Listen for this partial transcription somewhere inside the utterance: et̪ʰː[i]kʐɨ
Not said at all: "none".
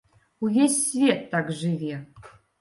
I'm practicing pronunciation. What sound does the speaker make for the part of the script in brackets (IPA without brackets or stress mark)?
a